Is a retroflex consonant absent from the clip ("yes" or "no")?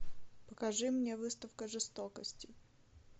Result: no